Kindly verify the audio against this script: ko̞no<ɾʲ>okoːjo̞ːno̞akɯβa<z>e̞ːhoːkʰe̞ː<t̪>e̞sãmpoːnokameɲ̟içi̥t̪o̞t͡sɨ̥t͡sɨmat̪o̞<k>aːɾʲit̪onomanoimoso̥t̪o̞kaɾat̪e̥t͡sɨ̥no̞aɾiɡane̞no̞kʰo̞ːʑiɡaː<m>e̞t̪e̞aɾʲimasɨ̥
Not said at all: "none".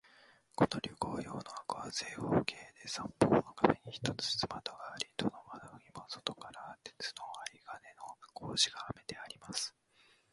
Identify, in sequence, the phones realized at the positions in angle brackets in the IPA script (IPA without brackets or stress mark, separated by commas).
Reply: ɾʲ, z, d̪, ɡ, m